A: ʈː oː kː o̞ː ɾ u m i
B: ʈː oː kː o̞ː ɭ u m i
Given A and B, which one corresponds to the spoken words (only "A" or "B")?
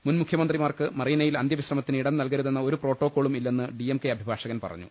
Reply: B